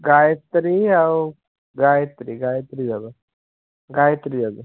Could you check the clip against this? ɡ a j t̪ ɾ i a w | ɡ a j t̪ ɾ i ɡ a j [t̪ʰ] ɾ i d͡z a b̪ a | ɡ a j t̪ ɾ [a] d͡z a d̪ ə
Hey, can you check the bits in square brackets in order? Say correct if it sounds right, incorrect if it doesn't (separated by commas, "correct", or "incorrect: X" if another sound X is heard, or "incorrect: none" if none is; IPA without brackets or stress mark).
incorrect: t̪, incorrect: i